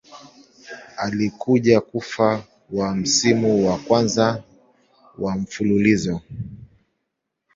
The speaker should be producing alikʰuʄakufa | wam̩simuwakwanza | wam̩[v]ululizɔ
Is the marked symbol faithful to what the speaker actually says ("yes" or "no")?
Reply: no